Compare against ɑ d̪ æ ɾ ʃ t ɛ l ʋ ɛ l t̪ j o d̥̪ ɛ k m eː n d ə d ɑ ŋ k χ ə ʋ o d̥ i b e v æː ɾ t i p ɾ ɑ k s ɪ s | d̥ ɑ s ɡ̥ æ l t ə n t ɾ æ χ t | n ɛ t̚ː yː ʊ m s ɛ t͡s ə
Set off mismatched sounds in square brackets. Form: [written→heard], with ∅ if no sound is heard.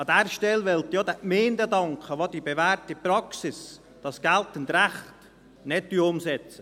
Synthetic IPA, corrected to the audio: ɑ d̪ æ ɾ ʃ t ɛ l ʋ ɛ l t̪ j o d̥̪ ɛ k m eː n d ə d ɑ ŋ k χ ə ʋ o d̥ i b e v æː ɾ t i p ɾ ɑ k s ɪ s | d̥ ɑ s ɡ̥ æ l t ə n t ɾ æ χ t | n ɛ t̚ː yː ʊ m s ɛ t͡s ə